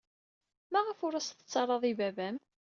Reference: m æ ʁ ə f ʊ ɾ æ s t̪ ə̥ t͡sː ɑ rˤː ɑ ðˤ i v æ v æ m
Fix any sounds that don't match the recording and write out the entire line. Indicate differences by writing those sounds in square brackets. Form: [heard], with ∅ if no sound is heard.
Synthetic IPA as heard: m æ ʁ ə f ʊ ɾ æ s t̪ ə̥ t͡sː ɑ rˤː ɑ ðˤ i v æ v æ m

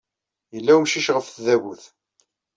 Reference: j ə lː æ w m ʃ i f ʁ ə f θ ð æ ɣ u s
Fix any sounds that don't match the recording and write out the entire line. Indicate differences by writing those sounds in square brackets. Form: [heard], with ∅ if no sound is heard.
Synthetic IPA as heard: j ə lː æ w m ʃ i [ʃ] ʁ ə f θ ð æ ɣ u [θ]

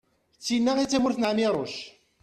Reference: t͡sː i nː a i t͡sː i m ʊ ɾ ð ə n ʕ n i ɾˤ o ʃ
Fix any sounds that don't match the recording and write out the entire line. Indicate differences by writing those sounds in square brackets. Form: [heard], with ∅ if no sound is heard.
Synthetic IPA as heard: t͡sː i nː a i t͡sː [æ] m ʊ ɾ [θ] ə n ʕ [m] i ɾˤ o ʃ

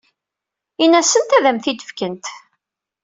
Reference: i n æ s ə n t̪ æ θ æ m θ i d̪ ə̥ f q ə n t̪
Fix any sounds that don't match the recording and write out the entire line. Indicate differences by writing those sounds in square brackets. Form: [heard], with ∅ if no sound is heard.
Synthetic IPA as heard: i n æ s ə n t̪ æ [ð] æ m θ i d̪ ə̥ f [k] ə n t̪

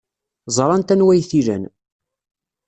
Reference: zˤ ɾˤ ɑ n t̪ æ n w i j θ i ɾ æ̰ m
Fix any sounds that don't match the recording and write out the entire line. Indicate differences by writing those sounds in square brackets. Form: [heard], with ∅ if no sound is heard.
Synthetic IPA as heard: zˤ ɾˤ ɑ n t̪ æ n w [æ] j θ i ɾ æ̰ [n]

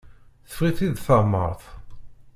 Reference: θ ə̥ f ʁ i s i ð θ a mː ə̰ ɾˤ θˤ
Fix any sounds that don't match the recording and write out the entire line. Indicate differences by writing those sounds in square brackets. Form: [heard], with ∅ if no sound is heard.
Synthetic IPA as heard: θ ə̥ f ʁ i [θ] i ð θ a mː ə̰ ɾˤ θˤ

